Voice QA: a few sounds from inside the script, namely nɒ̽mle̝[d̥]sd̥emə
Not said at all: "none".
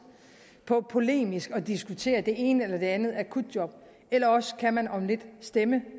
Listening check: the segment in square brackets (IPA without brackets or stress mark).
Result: d̥